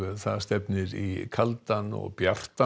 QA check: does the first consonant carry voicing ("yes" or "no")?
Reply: no